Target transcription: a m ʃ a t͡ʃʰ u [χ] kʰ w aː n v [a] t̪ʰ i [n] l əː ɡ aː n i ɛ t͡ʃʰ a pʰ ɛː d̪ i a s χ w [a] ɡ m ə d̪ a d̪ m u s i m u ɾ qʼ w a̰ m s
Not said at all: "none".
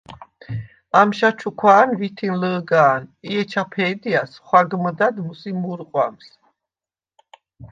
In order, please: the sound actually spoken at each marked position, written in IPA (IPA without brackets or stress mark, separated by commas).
none, i, n, a